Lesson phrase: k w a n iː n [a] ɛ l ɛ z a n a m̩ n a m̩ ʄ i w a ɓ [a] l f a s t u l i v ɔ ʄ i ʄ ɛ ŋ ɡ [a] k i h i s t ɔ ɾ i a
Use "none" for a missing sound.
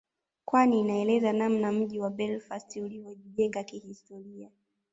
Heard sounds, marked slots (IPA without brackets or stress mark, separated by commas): a, ɛ, a